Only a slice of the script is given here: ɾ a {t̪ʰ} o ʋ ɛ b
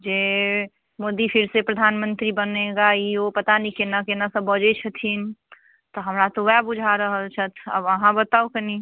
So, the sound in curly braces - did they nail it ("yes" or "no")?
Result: no